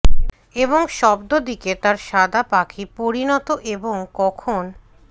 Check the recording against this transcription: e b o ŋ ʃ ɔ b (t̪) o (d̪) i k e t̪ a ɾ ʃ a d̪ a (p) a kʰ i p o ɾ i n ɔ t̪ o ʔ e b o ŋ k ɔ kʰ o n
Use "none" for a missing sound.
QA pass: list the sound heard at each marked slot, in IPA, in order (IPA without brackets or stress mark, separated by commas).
d̪, d̪, p